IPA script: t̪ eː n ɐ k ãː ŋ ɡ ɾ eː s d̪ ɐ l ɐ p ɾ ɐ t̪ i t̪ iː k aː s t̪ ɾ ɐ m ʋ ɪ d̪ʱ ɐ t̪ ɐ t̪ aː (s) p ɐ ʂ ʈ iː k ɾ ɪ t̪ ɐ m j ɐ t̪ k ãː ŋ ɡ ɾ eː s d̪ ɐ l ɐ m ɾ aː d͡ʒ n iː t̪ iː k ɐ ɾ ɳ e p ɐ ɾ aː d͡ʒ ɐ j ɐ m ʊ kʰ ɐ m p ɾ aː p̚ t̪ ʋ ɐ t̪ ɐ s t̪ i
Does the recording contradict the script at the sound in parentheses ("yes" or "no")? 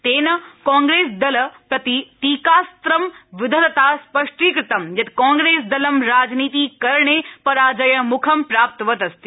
no